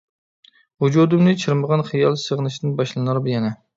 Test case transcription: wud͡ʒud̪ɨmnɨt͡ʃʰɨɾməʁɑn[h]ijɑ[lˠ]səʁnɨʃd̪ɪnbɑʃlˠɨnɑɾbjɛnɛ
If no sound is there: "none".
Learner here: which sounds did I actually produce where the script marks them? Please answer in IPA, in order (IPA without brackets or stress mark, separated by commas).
χ, lˠ